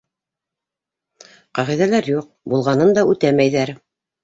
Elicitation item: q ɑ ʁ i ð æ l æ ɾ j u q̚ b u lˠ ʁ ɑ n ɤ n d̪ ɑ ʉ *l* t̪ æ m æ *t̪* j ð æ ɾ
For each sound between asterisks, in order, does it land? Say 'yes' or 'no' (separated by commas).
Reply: no, no